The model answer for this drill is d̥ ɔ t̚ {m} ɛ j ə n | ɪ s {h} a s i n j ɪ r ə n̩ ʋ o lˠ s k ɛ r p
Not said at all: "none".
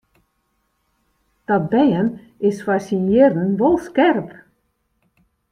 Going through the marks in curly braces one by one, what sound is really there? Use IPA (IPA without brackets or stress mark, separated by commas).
b, f